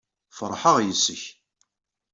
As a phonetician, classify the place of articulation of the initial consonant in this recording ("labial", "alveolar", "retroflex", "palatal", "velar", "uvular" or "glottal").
labial